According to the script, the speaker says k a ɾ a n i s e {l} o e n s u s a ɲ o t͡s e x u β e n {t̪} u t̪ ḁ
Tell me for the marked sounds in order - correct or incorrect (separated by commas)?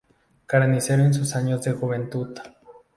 incorrect, correct